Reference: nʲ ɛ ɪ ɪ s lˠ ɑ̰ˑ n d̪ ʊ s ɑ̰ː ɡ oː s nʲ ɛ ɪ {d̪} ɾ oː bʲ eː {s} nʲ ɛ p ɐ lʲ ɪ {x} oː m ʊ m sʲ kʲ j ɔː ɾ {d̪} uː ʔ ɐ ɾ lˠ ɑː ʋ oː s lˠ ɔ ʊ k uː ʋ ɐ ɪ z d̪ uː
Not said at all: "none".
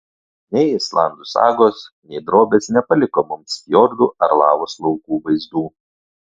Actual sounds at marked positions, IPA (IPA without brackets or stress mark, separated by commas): d̪, s, k, d̪